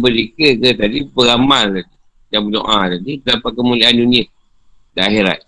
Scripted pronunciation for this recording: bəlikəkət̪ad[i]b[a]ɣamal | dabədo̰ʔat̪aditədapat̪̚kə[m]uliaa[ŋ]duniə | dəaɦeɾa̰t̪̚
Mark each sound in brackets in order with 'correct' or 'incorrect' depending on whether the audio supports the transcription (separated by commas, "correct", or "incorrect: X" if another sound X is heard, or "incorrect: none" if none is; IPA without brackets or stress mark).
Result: correct, incorrect: ə, correct, incorrect: n